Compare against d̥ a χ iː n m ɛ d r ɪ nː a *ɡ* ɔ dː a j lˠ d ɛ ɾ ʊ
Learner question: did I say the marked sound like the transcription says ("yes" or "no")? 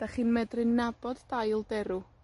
no